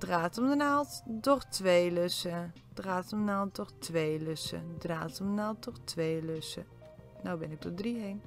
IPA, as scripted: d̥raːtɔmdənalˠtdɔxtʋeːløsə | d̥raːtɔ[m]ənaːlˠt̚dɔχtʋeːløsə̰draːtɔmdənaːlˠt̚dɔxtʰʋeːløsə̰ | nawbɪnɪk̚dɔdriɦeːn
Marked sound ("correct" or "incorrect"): correct